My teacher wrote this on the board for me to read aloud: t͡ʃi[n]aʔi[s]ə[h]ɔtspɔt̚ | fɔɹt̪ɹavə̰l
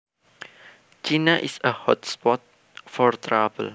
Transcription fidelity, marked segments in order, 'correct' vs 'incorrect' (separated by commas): correct, correct, correct